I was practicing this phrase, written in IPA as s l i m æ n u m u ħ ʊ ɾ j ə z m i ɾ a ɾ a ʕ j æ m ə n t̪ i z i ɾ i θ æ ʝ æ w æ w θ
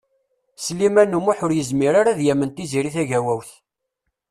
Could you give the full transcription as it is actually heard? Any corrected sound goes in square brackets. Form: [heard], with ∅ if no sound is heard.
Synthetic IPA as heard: s l i m æ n u m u ħ ʊ ɾ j ə z m i ɾ a ɾ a [ð] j æ m ə n t̪ i z i ɾ i θ æ ʝ æ w æ w θ